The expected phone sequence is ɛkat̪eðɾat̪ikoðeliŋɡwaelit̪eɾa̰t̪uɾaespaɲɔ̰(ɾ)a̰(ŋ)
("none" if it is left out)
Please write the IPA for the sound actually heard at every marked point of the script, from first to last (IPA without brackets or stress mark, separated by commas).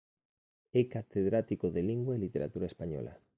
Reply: l, none